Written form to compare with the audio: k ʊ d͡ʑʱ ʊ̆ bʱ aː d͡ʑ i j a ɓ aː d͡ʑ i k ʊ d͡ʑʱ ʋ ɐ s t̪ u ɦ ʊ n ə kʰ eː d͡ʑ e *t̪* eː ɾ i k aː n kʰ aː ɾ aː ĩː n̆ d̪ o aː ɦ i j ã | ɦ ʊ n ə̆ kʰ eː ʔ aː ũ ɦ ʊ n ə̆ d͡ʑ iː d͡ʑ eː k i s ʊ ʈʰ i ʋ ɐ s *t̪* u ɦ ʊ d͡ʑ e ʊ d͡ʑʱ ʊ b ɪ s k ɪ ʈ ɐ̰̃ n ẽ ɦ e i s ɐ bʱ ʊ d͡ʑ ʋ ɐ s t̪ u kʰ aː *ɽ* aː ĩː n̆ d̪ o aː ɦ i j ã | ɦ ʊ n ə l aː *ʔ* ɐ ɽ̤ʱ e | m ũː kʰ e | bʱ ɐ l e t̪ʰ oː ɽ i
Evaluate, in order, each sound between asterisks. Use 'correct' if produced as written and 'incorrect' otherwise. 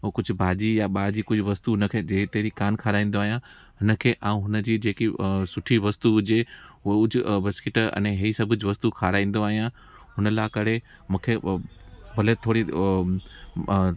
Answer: correct, correct, incorrect, incorrect

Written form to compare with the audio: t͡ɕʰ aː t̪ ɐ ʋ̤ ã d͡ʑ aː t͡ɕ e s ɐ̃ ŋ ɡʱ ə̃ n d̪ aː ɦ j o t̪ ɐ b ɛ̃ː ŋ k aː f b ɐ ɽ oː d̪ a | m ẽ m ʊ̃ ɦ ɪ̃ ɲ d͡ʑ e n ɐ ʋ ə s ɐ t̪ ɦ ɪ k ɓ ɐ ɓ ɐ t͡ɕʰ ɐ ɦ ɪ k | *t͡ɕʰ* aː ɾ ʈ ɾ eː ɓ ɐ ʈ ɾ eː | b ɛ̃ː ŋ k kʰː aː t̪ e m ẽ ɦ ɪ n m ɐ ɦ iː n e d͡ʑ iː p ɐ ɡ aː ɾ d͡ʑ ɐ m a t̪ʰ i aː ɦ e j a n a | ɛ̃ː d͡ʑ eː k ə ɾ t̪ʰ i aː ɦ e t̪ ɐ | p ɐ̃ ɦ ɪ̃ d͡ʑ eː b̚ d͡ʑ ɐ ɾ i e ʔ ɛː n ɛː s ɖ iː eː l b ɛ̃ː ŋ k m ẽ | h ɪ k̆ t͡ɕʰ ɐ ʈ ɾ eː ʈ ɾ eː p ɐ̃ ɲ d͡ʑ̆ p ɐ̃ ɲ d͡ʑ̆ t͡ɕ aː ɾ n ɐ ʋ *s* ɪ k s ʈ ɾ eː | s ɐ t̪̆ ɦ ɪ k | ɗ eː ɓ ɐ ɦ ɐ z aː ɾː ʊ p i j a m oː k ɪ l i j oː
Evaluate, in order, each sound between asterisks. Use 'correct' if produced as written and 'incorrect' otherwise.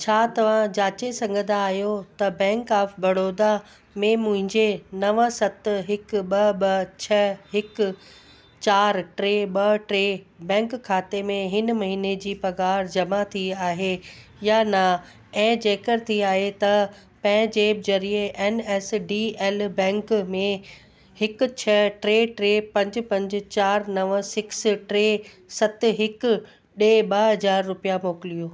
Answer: incorrect, correct

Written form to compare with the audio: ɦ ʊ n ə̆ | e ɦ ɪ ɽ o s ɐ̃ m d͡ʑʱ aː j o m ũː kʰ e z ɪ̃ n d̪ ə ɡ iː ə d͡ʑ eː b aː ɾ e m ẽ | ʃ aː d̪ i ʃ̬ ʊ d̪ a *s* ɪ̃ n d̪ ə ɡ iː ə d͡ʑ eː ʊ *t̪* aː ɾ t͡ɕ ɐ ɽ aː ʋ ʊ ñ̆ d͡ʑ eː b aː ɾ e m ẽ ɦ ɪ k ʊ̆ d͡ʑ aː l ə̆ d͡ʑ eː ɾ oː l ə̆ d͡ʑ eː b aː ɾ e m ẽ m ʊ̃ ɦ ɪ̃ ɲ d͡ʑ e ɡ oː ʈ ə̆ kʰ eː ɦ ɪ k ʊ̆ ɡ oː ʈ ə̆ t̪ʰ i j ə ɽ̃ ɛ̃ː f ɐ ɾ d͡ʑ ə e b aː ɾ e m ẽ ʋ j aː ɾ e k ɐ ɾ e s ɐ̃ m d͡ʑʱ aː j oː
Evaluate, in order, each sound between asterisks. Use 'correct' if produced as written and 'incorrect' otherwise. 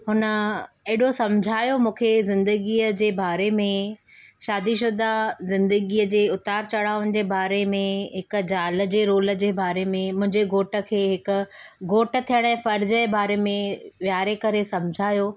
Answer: incorrect, correct

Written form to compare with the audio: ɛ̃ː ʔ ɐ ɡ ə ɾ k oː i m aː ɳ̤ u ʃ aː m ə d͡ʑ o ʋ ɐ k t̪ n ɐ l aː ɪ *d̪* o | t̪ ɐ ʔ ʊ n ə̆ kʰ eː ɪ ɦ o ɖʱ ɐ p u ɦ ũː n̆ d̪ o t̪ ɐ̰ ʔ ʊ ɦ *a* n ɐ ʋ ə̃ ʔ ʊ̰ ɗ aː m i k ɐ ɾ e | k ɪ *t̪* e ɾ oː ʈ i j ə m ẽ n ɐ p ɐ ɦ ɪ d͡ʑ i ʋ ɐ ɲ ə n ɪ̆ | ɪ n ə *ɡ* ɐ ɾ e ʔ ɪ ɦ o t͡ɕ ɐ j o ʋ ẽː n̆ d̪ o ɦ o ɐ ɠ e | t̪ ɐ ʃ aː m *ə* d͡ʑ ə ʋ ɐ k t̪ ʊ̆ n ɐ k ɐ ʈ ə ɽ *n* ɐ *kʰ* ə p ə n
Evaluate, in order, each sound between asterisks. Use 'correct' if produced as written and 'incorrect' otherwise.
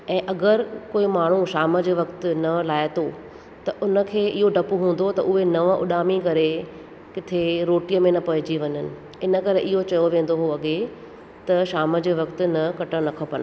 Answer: incorrect, incorrect, incorrect, incorrect, correct, correct, correct

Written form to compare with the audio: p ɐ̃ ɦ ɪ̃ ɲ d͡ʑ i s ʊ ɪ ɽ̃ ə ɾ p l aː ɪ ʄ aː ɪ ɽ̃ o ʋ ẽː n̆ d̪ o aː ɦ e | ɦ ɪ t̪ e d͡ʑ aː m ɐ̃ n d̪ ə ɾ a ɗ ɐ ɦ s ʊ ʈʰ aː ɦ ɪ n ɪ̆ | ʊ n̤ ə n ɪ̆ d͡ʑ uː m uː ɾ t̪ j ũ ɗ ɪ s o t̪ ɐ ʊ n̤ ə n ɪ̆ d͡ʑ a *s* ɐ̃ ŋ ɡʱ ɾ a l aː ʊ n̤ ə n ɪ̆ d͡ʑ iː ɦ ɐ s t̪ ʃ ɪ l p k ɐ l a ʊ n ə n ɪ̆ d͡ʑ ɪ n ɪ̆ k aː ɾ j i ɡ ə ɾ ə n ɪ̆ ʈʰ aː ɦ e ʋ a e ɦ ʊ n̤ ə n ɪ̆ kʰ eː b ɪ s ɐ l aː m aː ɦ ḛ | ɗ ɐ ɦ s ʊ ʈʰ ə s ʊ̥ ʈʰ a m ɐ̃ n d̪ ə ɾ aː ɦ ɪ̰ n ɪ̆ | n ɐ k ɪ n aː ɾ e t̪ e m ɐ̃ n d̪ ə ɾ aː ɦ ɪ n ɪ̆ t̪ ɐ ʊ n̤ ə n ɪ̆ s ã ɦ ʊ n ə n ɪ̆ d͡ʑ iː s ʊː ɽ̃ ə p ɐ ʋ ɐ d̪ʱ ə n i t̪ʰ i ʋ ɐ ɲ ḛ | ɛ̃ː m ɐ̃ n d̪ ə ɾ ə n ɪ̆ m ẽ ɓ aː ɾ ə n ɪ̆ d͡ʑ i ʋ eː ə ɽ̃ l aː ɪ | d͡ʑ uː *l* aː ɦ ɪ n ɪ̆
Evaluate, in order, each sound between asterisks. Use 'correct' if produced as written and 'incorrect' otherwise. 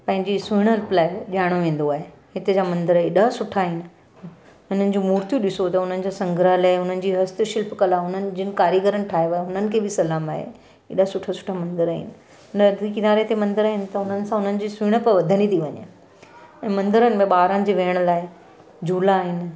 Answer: correct, correct

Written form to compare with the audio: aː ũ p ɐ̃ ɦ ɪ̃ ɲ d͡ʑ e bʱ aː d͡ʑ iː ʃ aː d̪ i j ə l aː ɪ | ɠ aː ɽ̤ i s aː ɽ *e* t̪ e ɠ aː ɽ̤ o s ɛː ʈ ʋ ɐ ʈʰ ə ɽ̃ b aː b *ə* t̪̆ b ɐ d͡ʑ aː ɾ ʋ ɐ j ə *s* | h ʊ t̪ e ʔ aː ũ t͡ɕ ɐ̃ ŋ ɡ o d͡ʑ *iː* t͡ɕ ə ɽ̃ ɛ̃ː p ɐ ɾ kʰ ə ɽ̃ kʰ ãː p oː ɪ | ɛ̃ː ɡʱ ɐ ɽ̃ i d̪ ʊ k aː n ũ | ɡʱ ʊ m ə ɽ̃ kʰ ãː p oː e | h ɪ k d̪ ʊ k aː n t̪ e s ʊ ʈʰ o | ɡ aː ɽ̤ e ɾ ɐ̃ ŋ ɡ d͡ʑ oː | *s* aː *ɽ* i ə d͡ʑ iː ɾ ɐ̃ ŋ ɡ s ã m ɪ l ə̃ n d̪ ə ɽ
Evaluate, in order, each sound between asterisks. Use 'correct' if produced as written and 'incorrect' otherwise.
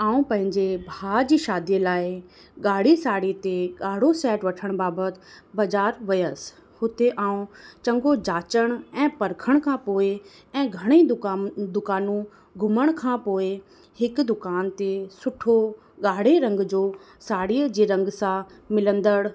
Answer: incorrect, correct, correct, incorrect, correct, correct

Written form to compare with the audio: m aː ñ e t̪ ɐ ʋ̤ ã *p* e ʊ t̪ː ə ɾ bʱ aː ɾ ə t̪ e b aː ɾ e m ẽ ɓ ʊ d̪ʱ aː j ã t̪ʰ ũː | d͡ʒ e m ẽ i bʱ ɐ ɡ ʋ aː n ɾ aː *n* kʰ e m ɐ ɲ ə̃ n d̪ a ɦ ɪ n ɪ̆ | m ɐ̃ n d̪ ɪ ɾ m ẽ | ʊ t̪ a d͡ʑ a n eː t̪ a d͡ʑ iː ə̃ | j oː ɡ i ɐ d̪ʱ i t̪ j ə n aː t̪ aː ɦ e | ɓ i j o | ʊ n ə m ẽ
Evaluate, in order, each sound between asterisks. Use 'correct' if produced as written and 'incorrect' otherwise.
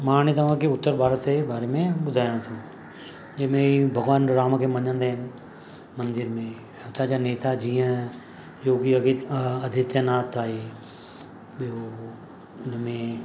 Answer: incorrect, incorrect

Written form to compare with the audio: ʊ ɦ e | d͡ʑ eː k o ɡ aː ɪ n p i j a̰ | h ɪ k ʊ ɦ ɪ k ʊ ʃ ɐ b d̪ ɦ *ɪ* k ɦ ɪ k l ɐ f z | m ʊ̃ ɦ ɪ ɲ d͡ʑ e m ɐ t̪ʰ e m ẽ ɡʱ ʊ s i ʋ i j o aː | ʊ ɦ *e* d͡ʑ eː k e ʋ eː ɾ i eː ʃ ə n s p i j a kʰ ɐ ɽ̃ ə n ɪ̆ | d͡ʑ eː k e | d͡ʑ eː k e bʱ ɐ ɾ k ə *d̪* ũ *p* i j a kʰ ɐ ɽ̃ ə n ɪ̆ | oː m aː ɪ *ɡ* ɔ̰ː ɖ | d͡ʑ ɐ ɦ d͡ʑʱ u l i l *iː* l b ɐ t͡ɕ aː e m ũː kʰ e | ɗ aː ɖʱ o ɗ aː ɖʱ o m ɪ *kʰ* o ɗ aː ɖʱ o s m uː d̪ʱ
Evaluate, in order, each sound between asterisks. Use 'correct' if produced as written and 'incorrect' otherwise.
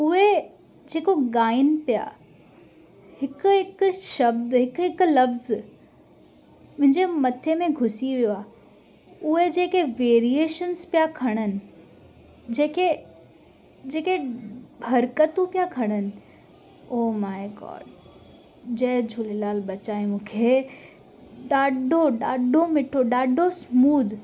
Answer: correct, correct, incorrect, correct, correct, incorrect, incorrect

